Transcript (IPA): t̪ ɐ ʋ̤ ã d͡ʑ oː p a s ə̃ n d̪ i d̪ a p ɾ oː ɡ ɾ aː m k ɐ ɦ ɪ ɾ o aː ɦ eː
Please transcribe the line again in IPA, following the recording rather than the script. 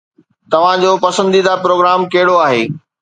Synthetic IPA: t̪ ɐ ʋ̤ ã d͡ʑ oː p ɐ s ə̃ n d̪ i d̪ a p ɾ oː ɡ ɾ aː m k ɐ ɦ ɪ ɽ o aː ɦ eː

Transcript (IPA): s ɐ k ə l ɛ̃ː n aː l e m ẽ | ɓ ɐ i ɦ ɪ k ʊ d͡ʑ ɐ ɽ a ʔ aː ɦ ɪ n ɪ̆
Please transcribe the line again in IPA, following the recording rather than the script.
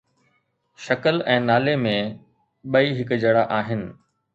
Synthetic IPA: ʃ ɐ k ə l ɛ̃ː n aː l e m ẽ | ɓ ɐ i ɦ ɪ k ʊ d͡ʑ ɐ ɽ a ʔ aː ɦ ɪ n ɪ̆

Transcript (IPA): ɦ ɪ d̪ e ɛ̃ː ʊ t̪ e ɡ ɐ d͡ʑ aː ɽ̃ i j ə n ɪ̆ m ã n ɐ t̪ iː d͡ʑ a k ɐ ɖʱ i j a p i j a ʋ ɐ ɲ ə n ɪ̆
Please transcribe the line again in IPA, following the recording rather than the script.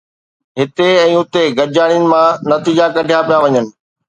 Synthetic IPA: ɦ ɪ t̪ e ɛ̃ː ʊ t̪ e ɡ ɐ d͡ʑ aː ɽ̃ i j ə n ɪ̆ m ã n ɐ t̪ iː d͡ʑ a k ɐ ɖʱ i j a p i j a ʋ ɐ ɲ ə n ɪ̆

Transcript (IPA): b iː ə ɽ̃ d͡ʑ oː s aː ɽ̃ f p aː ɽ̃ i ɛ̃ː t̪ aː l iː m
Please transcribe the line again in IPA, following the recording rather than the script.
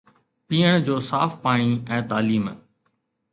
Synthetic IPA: p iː ə ɽ̃ d͡ʑ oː s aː f p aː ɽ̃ i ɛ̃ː t̪ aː l iː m

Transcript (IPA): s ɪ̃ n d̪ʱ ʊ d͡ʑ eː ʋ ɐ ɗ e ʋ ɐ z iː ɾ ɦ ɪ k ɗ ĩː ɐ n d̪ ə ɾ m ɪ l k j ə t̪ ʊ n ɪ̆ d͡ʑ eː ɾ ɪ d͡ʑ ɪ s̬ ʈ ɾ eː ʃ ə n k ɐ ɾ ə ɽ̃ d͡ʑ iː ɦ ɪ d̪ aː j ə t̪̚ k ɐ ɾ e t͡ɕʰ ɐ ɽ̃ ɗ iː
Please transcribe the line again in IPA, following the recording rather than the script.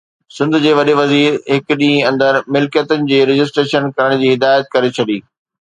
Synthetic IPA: s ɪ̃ n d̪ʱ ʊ d͡ʑ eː ʋ ɐ ɗ e ʋ ɐ z iː ɾ ɦ ɪ k ɗ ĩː ɐ̃ n d̪ ə ɾ m ɪ l k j ə t̪ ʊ n ɪ̆ d͡ʑ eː ɾ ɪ d͡ʑ ɪ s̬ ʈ ɾ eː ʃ ə n k ɐ ɾ ə ɽ̃ d͡ʑ iː ɦ ɪ d̪ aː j ə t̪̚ k ɐ ɾ e t͡ɕʰ ɐ ɗ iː

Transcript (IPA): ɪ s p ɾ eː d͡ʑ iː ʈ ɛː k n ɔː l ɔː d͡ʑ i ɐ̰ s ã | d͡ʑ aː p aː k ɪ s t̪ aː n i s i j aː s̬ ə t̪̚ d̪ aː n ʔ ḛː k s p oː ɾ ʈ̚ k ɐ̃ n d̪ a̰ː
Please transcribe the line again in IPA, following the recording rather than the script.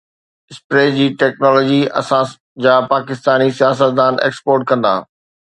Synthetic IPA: ɪ s p ɾ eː d͡ʑ iː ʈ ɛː k n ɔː l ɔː d͡ʑ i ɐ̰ s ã | d͡ʑ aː p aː k ɪ s t̪ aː n i s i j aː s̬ ə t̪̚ d̪ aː n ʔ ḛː k s p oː ɾ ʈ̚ k ɐ̃ n d̪ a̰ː

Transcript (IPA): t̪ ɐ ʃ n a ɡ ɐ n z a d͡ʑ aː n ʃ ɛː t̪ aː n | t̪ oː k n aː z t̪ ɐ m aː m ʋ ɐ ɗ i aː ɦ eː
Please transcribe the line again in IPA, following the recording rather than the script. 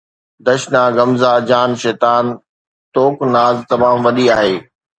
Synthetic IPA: d̪ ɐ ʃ n a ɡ ɐ m z a d͡ʑ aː n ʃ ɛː t̪ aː n | t̪ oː k n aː z t̪ ɐ m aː m ʋ ɐ ɗ i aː ɦ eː

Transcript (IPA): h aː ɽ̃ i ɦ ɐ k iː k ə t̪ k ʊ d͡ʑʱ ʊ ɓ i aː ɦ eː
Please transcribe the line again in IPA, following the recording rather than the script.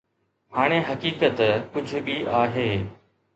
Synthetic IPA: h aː ɽ̃ e ɦ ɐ k iː k ə t̪ k ʊ d͡ʑʱ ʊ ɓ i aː ɦ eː

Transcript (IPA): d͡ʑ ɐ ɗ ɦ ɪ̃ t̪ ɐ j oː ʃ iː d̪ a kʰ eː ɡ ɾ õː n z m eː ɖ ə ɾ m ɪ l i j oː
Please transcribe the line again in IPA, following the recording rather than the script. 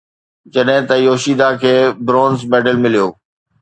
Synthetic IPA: d͡ʑ ɐ ɗ ɦ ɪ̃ t̪ ɐ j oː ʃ iː d̪ a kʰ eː b ɾ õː n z m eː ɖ ə l m ɪ l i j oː

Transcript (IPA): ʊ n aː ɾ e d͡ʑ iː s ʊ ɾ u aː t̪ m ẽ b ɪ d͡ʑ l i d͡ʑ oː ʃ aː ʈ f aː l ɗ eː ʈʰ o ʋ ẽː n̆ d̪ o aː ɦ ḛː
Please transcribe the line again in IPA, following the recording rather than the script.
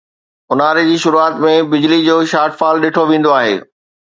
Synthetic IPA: ʊ n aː ɾ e d͡ʑ iː ʃ ʊ ɾ u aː t̪ m ẽ b ɪ d͡ʑ l i d͡ʑ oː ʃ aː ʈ f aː l ɗ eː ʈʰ o ʋ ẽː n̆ d̪ o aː ɦ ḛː

